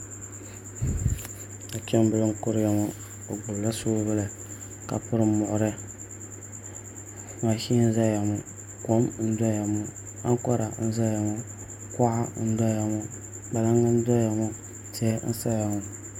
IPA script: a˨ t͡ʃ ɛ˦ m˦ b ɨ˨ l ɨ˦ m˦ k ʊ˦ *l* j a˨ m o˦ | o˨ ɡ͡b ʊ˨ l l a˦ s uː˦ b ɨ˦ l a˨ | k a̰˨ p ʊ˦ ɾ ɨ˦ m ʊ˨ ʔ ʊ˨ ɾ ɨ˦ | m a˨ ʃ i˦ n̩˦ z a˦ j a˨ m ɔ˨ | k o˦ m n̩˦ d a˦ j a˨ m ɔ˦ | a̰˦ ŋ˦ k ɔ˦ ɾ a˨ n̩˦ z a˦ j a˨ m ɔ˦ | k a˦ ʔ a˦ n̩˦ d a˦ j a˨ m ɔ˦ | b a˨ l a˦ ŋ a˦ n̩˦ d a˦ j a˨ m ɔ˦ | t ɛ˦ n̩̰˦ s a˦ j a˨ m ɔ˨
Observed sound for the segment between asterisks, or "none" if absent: ɾ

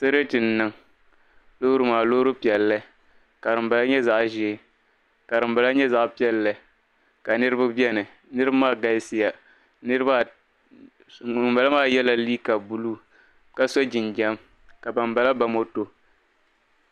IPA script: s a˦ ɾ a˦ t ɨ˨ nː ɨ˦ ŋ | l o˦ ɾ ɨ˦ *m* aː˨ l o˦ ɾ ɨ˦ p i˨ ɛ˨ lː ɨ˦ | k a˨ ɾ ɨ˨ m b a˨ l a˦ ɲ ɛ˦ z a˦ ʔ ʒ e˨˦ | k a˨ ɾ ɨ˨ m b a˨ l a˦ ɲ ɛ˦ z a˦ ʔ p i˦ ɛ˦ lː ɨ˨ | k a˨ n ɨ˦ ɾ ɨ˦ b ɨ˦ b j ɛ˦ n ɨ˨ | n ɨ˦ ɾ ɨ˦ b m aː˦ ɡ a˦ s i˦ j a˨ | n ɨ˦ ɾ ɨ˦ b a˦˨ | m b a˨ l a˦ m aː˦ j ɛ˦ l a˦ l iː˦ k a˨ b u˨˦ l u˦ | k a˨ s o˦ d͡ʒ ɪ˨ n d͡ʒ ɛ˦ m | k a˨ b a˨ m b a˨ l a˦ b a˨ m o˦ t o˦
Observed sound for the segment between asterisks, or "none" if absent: m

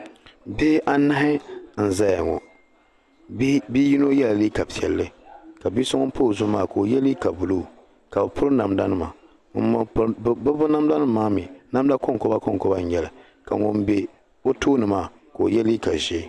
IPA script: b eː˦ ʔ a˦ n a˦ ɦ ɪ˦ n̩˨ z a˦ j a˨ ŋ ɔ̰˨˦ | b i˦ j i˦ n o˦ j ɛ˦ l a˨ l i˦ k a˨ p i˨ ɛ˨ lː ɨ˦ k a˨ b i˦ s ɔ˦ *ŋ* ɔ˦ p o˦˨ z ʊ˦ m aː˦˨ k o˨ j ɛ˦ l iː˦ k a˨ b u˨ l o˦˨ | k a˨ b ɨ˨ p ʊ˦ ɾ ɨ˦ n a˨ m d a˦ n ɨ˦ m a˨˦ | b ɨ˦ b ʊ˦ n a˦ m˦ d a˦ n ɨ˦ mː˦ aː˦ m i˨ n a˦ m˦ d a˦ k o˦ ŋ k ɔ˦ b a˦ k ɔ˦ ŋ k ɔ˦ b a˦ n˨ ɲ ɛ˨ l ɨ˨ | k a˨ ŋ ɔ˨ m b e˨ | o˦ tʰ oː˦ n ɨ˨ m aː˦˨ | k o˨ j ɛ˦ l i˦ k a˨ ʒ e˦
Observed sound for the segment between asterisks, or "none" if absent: ŋ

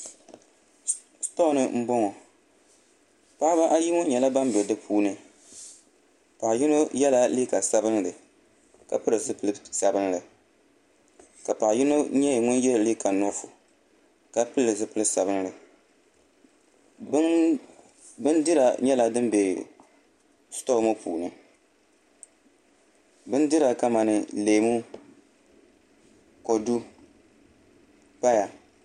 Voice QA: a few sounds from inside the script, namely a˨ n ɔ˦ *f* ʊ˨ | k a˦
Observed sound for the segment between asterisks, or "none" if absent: f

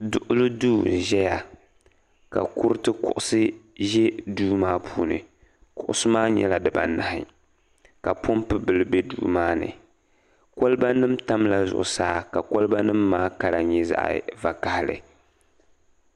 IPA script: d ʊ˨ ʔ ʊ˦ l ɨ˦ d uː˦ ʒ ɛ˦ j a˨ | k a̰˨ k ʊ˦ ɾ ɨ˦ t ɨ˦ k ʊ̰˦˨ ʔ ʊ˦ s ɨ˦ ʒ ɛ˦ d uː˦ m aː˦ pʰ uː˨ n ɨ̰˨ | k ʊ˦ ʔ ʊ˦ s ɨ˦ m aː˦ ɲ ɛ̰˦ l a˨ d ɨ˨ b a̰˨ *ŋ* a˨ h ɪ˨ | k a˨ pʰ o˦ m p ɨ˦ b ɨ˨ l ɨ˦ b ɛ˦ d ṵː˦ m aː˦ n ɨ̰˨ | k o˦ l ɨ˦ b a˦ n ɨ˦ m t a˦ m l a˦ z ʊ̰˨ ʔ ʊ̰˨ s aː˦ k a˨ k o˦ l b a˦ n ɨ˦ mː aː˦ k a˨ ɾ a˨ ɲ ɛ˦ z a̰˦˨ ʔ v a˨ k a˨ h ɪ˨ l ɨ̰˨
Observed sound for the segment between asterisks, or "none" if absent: n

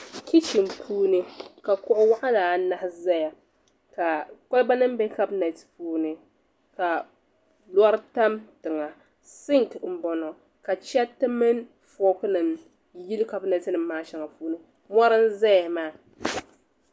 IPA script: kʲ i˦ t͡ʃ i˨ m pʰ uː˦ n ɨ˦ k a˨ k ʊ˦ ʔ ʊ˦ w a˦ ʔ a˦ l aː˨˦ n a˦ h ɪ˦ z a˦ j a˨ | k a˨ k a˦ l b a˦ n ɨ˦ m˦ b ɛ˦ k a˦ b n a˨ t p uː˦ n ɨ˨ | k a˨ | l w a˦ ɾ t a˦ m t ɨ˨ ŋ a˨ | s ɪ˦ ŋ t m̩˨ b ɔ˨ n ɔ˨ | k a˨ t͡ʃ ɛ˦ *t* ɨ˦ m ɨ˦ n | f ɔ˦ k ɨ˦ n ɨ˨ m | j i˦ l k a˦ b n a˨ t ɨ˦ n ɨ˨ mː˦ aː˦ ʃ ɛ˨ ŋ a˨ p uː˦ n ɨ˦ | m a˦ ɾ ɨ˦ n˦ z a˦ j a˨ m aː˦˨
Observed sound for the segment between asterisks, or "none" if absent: t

